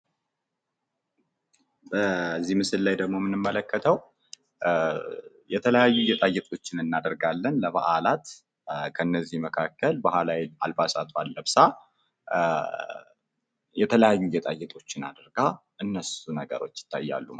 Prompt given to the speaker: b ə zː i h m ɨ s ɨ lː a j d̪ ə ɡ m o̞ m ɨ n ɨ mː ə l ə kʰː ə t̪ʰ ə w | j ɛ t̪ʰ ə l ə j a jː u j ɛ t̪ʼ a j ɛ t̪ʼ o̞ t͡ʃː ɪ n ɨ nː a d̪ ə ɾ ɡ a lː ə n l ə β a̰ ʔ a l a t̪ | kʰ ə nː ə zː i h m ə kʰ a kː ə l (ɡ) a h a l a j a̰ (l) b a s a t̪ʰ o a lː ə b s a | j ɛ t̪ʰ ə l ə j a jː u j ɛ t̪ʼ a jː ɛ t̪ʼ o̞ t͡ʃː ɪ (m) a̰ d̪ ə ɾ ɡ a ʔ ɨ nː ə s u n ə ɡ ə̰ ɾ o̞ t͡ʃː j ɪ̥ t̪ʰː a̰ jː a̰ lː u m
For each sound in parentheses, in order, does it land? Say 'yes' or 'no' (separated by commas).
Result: no, yes, no